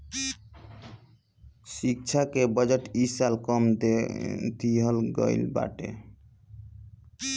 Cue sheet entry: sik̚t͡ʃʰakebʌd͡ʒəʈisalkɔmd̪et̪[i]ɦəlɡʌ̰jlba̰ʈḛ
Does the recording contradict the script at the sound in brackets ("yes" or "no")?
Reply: no